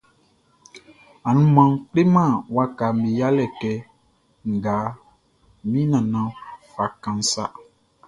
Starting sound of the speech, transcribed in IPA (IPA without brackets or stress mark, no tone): a